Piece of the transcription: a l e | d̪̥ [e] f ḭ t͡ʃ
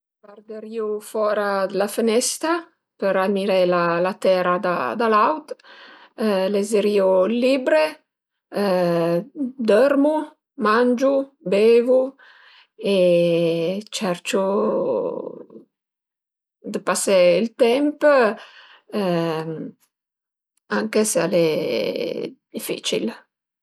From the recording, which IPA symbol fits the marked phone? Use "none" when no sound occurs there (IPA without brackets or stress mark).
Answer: i